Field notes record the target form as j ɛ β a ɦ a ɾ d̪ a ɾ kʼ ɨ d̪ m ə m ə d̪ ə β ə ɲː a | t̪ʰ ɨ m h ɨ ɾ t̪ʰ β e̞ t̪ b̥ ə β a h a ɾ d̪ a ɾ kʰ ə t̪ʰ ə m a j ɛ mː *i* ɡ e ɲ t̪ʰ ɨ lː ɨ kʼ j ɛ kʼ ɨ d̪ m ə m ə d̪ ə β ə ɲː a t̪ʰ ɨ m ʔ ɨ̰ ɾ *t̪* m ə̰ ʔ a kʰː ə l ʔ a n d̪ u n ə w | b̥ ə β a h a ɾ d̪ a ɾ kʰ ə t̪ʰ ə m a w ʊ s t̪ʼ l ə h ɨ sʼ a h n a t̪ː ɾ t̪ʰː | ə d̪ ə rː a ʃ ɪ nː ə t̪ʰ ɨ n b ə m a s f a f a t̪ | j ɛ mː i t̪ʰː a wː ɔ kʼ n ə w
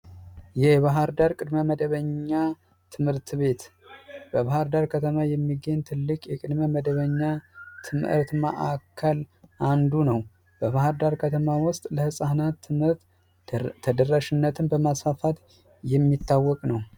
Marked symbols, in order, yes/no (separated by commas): yes, yes